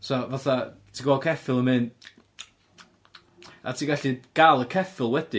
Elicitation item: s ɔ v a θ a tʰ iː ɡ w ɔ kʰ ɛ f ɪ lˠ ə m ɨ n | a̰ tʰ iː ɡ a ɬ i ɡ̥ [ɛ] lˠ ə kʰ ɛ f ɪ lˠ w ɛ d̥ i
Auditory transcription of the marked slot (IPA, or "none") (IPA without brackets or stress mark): a